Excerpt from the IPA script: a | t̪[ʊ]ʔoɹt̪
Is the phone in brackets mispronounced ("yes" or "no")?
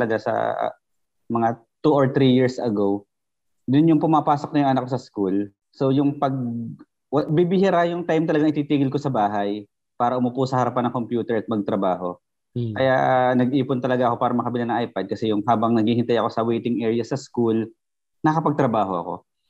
yes